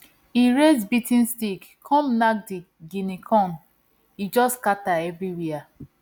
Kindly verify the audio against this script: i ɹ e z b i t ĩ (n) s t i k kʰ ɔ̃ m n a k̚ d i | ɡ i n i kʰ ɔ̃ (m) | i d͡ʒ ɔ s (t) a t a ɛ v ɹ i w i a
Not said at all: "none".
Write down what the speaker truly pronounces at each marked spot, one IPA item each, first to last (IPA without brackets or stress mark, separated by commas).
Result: n, n, k